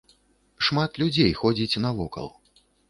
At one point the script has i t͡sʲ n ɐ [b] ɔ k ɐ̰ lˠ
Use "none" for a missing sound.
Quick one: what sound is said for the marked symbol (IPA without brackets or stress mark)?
v